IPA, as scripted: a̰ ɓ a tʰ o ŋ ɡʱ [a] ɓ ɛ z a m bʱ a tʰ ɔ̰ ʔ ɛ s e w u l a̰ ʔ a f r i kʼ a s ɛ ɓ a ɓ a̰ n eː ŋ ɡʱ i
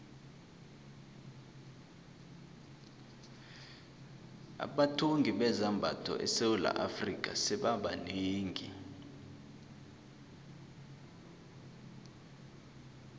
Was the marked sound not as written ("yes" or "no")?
yes